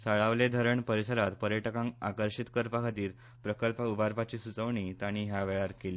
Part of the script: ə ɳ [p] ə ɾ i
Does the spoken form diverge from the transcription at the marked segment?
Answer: no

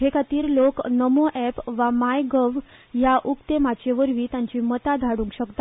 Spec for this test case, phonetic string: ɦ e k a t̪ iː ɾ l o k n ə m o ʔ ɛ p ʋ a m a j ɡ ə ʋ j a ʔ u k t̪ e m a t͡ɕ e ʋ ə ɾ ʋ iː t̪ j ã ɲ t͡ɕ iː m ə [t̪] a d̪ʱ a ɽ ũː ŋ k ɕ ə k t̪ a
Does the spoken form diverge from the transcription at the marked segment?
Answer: no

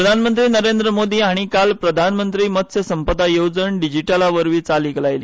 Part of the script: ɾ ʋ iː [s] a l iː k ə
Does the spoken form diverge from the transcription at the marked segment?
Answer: yes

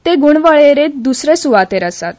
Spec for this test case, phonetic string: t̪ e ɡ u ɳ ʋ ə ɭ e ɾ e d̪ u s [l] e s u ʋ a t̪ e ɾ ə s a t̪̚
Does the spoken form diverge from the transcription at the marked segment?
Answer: yes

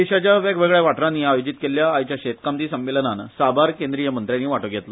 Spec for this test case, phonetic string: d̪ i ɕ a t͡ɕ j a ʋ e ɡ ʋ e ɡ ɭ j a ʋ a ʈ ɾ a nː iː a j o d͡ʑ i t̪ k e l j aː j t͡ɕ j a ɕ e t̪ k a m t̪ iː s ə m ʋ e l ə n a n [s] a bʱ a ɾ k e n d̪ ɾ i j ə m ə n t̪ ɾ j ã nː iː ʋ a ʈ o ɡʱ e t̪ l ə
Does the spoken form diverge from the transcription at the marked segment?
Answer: no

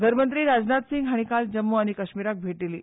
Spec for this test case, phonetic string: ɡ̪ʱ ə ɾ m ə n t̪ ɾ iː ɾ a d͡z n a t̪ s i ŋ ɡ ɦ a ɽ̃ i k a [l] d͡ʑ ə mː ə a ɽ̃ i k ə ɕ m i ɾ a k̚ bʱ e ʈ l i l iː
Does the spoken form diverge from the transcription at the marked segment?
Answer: no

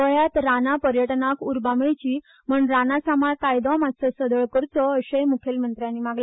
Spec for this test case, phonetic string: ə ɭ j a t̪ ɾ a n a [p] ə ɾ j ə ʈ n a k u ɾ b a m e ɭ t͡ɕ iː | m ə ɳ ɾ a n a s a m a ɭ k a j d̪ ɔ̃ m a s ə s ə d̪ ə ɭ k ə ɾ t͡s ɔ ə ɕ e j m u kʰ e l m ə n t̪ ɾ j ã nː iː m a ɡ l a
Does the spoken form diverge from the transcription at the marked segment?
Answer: no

